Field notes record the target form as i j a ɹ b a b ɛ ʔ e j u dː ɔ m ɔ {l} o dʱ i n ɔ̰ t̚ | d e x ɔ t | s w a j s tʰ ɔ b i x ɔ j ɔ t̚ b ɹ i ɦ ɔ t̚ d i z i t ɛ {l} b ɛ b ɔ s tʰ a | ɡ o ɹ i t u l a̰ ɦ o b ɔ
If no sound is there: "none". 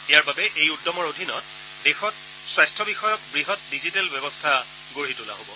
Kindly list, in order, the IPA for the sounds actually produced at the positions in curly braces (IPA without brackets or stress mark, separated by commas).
ɹ, l